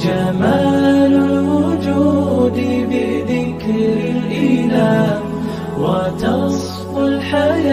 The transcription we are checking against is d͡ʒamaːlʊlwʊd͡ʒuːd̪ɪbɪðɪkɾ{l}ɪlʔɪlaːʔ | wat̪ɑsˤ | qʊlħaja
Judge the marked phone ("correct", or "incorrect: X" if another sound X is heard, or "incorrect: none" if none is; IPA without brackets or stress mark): incorrect: ɾ